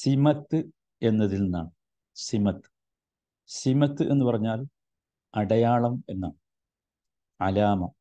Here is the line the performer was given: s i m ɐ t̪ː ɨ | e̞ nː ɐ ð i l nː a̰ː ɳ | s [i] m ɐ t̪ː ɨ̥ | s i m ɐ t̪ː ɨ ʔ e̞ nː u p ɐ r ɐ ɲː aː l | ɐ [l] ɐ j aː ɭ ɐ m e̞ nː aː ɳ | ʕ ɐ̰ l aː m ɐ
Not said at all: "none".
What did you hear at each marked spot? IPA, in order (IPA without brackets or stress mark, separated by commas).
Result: i, ɽ